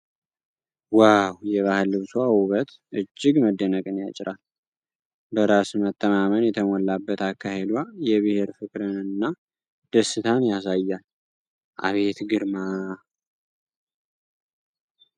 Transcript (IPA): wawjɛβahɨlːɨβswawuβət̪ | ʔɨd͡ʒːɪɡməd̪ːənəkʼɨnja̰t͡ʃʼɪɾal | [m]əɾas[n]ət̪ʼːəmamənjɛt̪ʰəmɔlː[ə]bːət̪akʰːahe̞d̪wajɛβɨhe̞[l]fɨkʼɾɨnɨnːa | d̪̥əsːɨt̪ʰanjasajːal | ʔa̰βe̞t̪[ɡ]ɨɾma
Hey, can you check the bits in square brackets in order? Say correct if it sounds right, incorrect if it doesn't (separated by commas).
incorrect, incorrect, incorrect, incorrect, correct